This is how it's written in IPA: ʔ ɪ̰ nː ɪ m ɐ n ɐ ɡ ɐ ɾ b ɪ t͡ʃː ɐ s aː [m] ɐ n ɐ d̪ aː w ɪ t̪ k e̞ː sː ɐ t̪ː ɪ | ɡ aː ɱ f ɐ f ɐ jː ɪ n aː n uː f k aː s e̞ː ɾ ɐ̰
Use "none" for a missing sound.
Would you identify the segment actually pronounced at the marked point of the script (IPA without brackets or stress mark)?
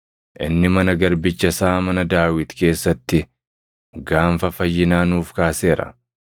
m